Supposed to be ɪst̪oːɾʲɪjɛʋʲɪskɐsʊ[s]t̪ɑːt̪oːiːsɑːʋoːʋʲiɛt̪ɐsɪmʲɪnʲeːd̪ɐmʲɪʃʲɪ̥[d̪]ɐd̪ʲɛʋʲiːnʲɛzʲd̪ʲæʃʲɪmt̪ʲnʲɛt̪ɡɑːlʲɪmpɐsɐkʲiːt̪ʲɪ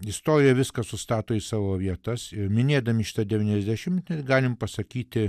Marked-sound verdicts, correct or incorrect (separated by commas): correct, incorrect